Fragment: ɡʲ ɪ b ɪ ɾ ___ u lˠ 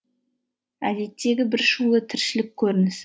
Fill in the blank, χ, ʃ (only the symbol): ʃ